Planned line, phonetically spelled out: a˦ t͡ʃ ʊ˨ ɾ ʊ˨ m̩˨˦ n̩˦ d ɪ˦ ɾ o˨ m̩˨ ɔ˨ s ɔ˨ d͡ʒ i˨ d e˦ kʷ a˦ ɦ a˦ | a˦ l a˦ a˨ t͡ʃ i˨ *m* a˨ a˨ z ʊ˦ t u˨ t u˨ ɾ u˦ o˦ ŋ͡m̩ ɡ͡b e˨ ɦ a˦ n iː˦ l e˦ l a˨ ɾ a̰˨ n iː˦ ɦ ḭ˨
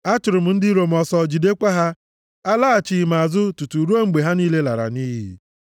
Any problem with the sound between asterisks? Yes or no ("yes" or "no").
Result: no